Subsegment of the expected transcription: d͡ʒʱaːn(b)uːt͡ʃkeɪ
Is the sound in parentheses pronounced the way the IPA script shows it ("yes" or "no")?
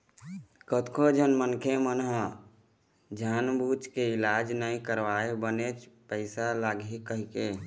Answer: yes